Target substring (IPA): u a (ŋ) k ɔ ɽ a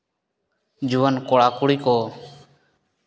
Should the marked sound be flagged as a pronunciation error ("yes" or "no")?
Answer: yes